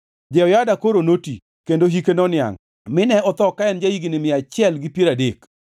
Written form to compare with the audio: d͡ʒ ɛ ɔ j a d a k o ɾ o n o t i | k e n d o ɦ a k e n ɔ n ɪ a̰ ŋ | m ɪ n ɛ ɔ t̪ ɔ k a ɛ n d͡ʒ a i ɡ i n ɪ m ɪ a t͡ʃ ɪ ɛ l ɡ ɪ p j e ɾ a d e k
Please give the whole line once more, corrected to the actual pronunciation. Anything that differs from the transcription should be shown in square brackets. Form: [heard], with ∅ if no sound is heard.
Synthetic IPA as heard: d͡ʒ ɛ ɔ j a d a k o ɾ o n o t i | k e n d o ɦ [i] k e n ɔ n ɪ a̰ ŋ | m ɪ n ɛ ɔ t̪ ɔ k a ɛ n d͡ʒ a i ɡ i n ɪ m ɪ a t͡ʃ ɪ ɛ l ɡ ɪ p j e ɾ a d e k